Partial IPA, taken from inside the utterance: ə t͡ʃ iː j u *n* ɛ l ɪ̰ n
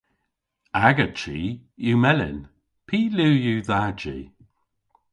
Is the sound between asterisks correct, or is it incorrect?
incorrect